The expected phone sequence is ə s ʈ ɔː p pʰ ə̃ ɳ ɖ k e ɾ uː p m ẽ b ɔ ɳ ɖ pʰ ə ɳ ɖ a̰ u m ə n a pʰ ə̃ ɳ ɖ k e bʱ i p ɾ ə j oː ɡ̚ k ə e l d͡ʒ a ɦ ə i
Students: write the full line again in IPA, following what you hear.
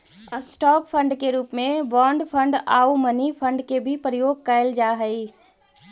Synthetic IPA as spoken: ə s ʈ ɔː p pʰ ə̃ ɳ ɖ k e ɾ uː p m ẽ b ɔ ɳ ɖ pʰ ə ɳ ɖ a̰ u m ə n i pʰ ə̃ ɳ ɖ k e bʱ i p ɾ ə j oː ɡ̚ k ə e l d͡ʒ a ɦ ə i